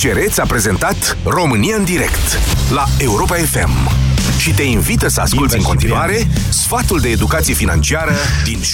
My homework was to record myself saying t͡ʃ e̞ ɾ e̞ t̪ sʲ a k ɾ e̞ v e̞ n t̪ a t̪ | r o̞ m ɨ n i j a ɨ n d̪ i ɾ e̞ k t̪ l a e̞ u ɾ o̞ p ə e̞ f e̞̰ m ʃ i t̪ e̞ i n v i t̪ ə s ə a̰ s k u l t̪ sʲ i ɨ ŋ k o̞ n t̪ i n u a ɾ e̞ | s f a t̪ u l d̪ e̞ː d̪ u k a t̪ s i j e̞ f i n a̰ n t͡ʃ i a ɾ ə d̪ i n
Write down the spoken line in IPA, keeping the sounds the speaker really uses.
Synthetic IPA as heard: t͡ʃ e̞ ɾ e̞ t̪ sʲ a p ɾ e̞ z e̞ n t̪ a t̪ | r o̞ m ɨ n i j a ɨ n d̪ i ɾ e̞ k t̪ l a e̞ u ɾ o̞ p a e̞ f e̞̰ m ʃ i t̪ e̞ i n v i t̪ ə s ə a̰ s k u l t̪ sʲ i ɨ ŋ k o̞ n t̪ i n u a ɾ e̞ | s f a t̪ u l d̪ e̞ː d̪ u k a t̪ s i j e̞ f i n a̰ n t͡ʃ i a ɾ ə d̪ i n